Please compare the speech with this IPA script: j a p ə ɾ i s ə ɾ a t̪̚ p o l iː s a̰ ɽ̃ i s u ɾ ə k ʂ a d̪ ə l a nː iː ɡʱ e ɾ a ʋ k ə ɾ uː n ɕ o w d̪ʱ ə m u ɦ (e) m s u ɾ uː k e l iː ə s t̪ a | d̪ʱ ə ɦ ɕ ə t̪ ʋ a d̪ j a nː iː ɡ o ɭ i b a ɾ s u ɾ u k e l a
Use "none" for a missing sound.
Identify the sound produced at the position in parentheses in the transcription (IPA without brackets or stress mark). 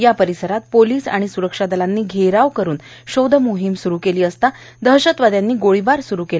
i